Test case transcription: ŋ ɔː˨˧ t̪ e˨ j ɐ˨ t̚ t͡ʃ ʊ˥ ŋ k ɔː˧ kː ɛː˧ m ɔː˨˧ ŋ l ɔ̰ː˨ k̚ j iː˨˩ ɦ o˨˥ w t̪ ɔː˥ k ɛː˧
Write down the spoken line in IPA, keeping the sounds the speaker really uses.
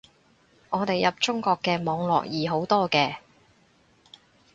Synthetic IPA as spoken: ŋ ɔː˨˧ t̪ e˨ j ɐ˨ p̚ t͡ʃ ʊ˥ ŋ k ɔː˧ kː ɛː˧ m ɔː˨˧ ŋ l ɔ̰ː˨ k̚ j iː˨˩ ɦ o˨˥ w t̪ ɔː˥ k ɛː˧